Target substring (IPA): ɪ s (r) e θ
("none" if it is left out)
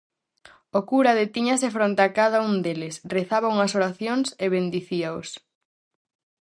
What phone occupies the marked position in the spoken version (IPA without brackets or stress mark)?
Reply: r